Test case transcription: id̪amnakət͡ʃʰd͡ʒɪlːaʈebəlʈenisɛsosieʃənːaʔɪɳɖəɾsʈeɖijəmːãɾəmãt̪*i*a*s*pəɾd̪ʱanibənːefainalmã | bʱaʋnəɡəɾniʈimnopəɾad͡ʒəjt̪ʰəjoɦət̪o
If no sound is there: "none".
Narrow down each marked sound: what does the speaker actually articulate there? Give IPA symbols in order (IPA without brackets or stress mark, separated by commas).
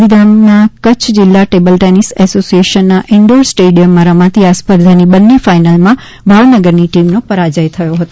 i, s